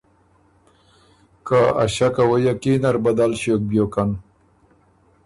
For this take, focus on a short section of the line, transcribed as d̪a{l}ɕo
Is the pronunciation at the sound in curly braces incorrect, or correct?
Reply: correct